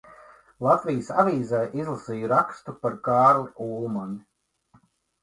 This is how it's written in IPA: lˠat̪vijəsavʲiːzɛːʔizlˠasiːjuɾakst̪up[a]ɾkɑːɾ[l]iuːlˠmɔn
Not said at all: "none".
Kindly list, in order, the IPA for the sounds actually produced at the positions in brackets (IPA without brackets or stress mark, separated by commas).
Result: a, l